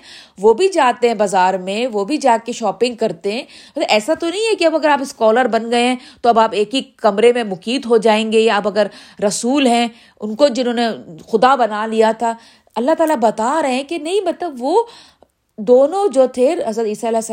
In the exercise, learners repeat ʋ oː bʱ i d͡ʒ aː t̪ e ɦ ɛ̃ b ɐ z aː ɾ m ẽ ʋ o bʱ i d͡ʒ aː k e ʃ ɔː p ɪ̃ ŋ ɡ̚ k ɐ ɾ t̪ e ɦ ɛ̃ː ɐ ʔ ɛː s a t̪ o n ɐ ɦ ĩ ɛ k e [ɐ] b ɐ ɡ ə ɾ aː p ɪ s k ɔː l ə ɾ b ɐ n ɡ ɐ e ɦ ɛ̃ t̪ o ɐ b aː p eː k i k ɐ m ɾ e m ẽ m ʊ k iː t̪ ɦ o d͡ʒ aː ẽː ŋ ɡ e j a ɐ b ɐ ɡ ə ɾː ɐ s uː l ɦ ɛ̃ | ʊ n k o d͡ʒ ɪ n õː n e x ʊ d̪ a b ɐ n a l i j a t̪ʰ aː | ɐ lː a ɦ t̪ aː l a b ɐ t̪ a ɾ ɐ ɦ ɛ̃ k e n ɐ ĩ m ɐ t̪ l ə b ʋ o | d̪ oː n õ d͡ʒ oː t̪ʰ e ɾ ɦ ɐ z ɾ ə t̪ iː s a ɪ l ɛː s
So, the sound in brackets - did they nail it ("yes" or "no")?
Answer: yes